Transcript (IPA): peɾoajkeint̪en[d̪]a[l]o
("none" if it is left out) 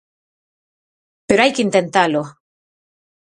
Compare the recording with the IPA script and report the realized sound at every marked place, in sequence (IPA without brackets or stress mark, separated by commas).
t̪, l